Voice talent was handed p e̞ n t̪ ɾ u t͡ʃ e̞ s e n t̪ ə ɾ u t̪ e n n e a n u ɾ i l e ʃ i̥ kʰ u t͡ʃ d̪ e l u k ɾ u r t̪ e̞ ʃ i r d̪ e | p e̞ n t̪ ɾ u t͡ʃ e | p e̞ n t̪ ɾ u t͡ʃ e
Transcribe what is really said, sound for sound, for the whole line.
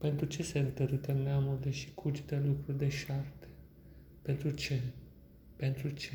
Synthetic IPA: p e̞ n t̪ ɾ u t͡ʃ e̞ s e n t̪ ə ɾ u t̪ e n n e a m u ɾ i l e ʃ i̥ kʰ u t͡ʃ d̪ e l u k ɾ u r d̪ e̞ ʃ a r t̪ e | p e̞ n t̪ ɾ u t͡ʃ e | p e̞ n t̪ ɾ u t͡ʃ e